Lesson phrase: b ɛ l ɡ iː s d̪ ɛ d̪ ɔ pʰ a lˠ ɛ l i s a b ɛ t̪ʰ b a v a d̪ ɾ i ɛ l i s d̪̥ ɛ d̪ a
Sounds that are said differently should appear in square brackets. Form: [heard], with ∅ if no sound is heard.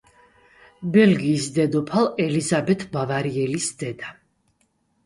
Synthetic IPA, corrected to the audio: b ɛ l ɡ iː s d̪ ɛ d̪ ɔ pʰ a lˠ ɛ l i [z] a b ɛ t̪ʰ b a v a [∅] ɾ i ɛ l i s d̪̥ ɛ d̪ a